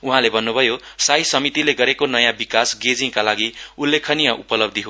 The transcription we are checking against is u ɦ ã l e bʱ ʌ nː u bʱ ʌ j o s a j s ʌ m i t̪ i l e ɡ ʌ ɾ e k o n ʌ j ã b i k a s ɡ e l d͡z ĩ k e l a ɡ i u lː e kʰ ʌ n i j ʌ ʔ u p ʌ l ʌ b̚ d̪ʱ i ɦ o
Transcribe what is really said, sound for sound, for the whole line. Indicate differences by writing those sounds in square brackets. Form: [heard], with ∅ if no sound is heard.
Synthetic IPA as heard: u ɦ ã l e bʱ ʌ nː u bʱ ʌ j o s a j s ʌ m i t̪ i l e ɡ ʌ ɾ e k o n ʌ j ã b i k a s ɡ e [∅] d͡z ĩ k [a] l a ɡ i u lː e kʰ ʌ n i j ʌ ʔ u p ʌ l ʌ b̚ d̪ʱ i ɦ o

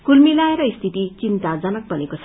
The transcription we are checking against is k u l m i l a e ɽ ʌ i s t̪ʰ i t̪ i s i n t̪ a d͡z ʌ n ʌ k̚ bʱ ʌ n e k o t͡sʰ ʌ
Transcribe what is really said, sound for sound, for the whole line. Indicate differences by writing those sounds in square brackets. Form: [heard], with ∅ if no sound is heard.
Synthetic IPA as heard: k u l m i l a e [ɾ] ʌ i s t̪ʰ i t̪ i [t͡s] i n t̪ a d͡z ʌ n ʌ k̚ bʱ ʌ n e k o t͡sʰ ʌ

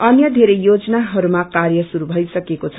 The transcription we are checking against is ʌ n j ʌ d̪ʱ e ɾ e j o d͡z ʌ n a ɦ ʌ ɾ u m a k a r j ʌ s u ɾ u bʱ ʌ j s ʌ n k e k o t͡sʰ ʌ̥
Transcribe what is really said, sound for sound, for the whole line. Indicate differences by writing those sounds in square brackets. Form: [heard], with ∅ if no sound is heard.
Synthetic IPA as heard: ʌ n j ʌ d̪ʱ e ɾ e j o d͡z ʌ n a ɦ ʌ ɾ u m a k a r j ʌ s u ɾ u bʱ ʌ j s ʌ [∅] k e k o t͡sʰ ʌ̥

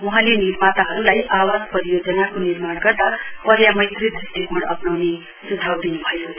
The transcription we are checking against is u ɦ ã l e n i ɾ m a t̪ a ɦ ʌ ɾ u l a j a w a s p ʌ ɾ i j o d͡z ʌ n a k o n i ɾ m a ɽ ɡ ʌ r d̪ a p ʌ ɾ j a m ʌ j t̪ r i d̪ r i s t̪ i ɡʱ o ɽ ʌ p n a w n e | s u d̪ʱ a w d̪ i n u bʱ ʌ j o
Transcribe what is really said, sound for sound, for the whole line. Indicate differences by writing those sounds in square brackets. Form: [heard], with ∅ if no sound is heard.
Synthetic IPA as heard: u ɦ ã l e n i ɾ m a t̪ a ɦ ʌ ɾ u l a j a w a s p ʌ ɾ i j o d͡z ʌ n a k o n i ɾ m a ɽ ɡ ʌ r d̪ a p ʌ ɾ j a m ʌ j t̪ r i d̪ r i s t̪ i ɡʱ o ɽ ʌ p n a w n e | s u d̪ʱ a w d̪ i n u bʱ ʌ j o

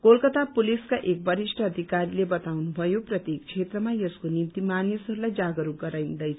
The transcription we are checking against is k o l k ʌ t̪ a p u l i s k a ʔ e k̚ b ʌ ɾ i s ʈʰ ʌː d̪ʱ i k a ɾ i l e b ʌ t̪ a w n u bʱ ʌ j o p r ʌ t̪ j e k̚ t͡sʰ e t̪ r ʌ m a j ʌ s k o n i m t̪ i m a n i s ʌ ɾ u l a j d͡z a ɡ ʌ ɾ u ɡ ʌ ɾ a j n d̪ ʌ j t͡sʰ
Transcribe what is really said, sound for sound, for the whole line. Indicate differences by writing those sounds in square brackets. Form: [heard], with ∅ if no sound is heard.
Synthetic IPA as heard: k o l k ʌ t̪ a p u l i s k a ʔ e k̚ b ʌ ɾ i s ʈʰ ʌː d̪ʱ i k a ɾ i l e b ʌ t̪ a w n u bʱ ʌ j o p r ʌ t̪ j e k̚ t͡sʰ e t̪ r ʌ m a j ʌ s k o n i m t̪ i m a n i s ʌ ɾ u l a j d͡z a ɡ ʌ ɾ u ɡ ʌ ɾ a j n d̪ ʌ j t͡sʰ

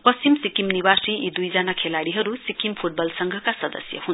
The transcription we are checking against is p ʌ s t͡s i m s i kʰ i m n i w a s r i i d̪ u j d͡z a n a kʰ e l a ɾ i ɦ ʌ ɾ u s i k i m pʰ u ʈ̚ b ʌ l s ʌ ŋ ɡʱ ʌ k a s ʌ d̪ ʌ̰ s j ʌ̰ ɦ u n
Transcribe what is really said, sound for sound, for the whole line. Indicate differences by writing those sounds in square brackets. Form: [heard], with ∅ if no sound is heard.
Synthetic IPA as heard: p ʌ s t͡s i m s i [k] i m n i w a s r i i d̪ u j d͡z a n a kʰ e l a [ɽ] i ɦ ʌ ɾ u s i k i m pʰ u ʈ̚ b ʌ l s ʌ ŋ ɡʱ ʌ k a s ʌ d̪ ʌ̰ s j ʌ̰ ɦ u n

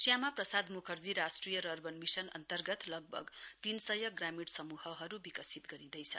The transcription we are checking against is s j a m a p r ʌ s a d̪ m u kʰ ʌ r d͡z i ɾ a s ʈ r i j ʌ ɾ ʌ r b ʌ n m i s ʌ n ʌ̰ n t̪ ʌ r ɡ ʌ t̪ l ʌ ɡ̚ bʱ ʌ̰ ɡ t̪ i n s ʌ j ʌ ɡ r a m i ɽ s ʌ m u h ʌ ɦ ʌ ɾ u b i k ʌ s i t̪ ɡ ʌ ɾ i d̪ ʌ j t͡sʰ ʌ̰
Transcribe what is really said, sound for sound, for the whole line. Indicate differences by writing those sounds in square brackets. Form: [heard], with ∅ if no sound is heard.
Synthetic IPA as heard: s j a m a p r ʌ s a d̪ m u kʰ ʌ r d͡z i ɾ a s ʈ r i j ʌ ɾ ʌ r b ʌ n m i s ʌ n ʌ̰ n t̪ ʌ r ɡ ʌ t̪ l ʌ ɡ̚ bʱ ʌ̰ ɡ t̪ i n s ʌ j ʌ ɡ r a m i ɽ s ʌ m u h ʌ ɦ ʌ ɾ u b i k ʌ s i t̪ ɡ ʌ ɾ i d̪ ʌ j t͡sʰ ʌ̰

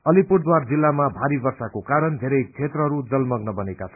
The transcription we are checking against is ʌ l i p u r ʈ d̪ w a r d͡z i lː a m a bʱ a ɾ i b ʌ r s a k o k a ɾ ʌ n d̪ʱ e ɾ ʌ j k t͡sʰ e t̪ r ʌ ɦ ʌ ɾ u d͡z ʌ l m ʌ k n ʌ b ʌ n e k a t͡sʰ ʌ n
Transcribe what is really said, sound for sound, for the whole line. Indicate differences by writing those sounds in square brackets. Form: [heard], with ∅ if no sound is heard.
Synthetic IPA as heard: ʌ l i p u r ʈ d̪ w a r d͡z i lː a m a bʱ a ɾ i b ʌ r s a k o k a ɾ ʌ n d̪ʱ e ɾ ʌ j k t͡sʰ e t̪ r ʌ ɦ ʌ ɾ u d͡z ʌ l m ʌ [ɡ] n ʌ b ʌ n e k a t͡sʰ ʌ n

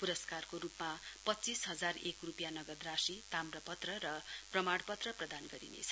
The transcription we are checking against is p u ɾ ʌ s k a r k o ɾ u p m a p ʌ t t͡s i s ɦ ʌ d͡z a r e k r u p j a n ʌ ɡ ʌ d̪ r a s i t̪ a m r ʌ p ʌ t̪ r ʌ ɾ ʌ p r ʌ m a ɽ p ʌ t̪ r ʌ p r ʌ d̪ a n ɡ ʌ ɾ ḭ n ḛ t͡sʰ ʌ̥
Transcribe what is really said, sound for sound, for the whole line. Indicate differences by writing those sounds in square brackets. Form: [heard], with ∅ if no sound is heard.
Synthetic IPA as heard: p u ɾ ʌ s k a r k o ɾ u p m a p ʌ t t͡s i s ɦ ʌ d͡z a r e k r u p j a n ʌ ɡ ʌ d̪ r a s i t̪ a m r ʌ p ʌ t̪ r ʌ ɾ ʌ p r ʌ m a ɽ p ʌ t̪ r ʌ p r ʌ d̪ a n ɡ ʌ ɾ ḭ n ḛ t͡sʰ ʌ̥

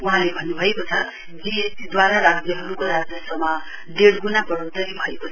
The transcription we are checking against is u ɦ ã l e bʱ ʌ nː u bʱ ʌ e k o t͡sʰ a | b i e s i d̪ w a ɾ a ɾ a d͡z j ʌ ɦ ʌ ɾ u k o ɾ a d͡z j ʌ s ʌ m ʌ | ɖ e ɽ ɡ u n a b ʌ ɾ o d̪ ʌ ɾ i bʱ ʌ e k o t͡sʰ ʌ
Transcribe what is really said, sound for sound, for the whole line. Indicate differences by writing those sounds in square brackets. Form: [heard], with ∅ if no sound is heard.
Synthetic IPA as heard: u ɦ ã l e bʱ ʌ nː u bʱ ʌ e k o t͡sʰ [ʌ] | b i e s i d̪ w a ɾ a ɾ a d͡z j ʌ ɦ ʌ ɾ u k o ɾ a d͡z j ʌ s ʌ m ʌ | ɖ e ɽ ɡ u n a b ʌ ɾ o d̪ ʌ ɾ i bʱ ʌ e k o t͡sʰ ʌ

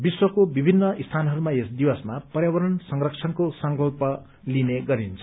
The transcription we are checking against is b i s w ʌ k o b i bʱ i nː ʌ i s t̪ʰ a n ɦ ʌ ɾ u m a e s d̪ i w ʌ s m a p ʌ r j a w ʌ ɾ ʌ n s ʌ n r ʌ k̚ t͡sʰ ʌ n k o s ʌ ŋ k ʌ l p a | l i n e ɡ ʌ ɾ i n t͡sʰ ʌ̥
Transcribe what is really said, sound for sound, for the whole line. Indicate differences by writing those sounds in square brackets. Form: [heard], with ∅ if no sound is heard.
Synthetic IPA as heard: b i s w ʌ k o b i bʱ i nː ʌ i s t̪ʰ a n ɦ ʌ ɾ u m a e s d̪ i w ʌ s m a p ʌ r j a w ʌ ɾ ʌ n s ʌ [ŋ] r ʌ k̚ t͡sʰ ʌ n k o s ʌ ŋ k ʌ l p [ʌ] | l i n e ɡ ʌ ɾ i n t͡sʰ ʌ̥

